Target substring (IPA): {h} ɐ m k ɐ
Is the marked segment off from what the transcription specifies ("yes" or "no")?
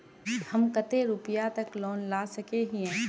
no